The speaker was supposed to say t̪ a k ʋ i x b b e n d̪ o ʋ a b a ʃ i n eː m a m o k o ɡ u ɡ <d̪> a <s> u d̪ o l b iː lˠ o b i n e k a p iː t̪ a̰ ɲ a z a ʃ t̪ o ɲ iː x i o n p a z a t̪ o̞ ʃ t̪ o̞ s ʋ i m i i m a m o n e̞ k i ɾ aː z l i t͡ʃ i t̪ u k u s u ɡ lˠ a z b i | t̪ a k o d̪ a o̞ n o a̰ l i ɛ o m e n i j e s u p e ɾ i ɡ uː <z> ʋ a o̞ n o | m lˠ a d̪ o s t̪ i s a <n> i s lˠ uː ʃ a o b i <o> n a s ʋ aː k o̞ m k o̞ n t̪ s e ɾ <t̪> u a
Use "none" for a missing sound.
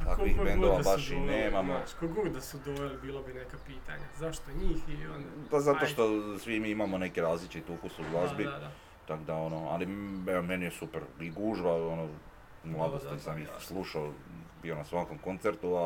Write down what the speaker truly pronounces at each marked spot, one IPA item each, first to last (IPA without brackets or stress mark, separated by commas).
d̪, s, ʒ, m, o, t̪